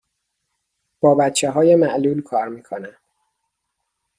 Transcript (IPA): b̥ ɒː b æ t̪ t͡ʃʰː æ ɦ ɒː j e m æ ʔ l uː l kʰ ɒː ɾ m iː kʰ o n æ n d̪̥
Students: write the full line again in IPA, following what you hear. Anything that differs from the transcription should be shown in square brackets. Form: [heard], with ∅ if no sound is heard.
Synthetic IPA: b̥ ɒː b æ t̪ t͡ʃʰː [e] ɦ ɒː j e m æ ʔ l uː l kʰ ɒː ɾ m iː kʰ o n æ n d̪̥